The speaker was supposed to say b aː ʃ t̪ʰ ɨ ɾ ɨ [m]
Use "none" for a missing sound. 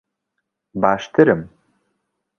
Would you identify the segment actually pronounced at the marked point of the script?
m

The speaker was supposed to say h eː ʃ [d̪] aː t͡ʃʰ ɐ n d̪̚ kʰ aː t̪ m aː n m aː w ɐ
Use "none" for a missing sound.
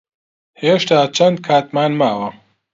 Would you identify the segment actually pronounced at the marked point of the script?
t̪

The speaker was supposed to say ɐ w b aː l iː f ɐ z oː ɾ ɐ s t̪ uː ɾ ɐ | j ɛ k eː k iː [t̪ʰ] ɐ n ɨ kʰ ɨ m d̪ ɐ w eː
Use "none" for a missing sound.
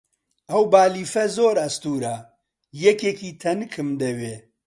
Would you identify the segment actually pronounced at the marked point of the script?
t̪ʰ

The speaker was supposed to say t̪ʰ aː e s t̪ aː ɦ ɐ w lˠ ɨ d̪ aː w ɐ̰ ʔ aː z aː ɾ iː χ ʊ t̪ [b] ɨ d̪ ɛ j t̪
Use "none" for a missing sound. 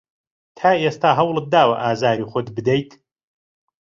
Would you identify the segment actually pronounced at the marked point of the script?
b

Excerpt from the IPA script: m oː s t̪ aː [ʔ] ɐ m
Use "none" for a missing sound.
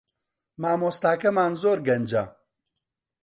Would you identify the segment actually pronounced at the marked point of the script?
k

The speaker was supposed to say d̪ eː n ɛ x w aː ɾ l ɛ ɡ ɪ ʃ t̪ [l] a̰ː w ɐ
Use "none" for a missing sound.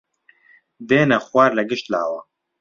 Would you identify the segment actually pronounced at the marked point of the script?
l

